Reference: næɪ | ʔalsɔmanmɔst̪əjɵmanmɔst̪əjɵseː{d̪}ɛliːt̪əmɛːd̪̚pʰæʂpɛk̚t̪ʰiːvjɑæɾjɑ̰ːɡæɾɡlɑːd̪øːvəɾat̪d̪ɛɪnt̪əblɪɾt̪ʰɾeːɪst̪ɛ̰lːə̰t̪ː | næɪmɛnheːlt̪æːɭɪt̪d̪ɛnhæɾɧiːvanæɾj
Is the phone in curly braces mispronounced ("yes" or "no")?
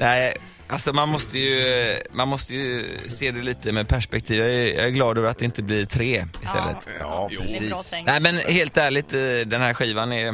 no